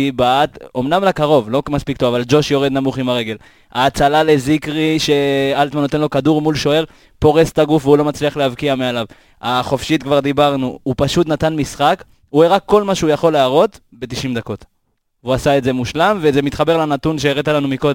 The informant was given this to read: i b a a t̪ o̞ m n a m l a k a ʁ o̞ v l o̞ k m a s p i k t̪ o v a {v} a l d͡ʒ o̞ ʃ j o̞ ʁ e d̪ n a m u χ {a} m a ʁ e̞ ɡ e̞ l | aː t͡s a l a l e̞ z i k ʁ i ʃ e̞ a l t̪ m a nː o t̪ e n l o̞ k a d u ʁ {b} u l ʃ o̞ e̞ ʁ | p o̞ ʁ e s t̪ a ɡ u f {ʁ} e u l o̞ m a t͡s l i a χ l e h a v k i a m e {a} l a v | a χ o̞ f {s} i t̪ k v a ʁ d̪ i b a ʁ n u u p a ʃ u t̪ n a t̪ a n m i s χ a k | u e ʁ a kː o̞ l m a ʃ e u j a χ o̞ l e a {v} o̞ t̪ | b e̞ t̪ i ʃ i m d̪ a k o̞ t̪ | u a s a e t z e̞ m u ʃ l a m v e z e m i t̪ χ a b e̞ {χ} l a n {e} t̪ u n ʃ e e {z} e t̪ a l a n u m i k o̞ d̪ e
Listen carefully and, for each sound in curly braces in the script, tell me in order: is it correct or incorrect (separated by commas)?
correct, incorrect, incorrect, incorrect, correct, incorrect, incorrect, incorrect, incorrect, incorrect